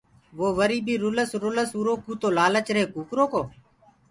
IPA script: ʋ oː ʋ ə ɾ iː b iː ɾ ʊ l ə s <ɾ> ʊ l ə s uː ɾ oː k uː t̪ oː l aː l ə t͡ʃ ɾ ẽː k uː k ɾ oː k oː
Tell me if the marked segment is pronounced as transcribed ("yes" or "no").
yes